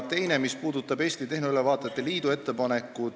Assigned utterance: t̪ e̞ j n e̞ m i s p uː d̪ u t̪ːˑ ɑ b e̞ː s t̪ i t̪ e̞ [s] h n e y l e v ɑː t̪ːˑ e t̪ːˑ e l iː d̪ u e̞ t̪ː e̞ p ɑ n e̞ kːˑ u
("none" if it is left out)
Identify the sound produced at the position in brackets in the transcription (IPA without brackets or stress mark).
none